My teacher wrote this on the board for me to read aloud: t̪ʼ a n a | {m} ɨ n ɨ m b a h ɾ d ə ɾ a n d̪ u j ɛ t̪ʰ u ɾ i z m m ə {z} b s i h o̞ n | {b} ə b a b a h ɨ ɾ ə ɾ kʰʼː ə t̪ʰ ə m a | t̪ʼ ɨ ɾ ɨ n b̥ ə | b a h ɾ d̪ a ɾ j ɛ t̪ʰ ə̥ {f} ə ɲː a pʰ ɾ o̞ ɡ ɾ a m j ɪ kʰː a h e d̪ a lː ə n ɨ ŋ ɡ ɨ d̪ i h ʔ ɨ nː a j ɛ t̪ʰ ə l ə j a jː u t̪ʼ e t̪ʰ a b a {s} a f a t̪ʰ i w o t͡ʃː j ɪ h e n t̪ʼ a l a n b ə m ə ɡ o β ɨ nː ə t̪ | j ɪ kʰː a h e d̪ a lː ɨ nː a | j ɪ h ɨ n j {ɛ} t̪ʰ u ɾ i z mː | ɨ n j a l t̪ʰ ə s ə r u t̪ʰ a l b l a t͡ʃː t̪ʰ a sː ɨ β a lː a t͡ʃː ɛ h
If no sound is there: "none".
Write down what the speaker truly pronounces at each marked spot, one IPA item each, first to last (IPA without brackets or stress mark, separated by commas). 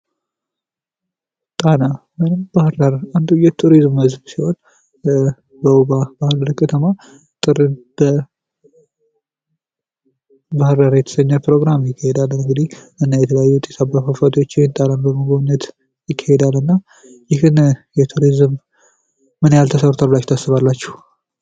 m, z, b, s, f, ɛ